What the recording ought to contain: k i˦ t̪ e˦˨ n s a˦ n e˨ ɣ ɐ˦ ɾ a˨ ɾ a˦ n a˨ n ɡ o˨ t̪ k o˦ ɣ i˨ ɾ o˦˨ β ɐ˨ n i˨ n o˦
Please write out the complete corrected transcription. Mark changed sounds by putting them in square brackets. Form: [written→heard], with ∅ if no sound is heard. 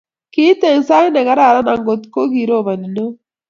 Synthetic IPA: k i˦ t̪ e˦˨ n s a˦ n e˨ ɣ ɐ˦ ɾ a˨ ɾ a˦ n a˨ [n→ŋ] ɡ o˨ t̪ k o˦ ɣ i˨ ɾ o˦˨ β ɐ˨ n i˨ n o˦

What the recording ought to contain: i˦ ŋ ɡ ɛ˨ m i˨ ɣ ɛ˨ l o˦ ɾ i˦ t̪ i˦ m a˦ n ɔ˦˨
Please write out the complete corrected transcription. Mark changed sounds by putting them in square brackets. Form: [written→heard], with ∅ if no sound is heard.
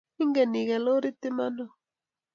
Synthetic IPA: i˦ ŋ ɡ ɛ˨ [m→n] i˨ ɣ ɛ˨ l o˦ ɾ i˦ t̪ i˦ m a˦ n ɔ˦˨

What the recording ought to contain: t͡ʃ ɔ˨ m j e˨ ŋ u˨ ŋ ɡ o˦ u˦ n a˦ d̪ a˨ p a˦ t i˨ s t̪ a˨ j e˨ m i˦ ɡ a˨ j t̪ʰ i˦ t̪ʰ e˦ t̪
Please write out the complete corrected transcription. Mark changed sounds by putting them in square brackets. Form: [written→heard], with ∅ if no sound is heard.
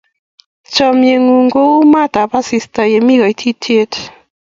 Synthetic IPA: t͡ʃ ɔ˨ m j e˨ ŋ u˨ ŋ ɡ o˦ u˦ [n→m] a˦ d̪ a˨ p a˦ [t→s] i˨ s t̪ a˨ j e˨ m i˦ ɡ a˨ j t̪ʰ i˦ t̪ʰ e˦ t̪

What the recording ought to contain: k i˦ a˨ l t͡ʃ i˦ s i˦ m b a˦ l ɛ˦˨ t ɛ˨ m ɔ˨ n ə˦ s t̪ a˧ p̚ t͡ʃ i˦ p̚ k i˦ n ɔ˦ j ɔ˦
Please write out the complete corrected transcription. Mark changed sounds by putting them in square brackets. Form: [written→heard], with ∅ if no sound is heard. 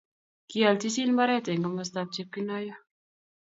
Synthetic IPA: k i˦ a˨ l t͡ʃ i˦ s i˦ [m→n] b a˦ [l→ɾ] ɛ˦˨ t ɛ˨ [m→ŋ] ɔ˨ [n→m] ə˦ s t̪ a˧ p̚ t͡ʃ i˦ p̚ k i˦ n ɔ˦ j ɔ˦

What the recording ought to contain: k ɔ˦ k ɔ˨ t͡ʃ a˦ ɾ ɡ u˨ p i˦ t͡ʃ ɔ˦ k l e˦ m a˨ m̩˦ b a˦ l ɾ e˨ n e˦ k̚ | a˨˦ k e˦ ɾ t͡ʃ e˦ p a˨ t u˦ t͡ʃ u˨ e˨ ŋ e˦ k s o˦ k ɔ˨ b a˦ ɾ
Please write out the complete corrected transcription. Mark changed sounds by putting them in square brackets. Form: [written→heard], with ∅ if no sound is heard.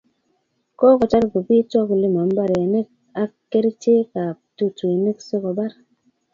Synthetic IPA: k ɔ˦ k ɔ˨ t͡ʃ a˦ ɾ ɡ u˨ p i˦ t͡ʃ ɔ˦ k l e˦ m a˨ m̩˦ b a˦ [l→∅] ɾ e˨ n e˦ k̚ | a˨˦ k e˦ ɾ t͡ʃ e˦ [p→k] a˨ t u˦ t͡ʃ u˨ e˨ [ŋ→n] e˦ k s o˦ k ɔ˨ b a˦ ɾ

